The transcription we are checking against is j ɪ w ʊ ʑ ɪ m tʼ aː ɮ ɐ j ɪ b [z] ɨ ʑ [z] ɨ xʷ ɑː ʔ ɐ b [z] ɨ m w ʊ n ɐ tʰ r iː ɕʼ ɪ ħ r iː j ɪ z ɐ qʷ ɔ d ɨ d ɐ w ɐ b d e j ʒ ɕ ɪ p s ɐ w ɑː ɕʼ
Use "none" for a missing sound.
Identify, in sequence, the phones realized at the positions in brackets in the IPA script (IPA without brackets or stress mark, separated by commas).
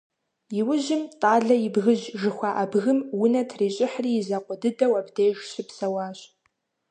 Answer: ɣ, ʒ, ɣ